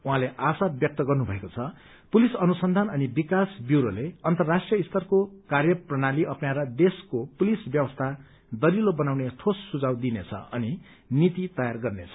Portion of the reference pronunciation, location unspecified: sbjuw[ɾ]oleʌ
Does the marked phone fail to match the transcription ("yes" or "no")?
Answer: no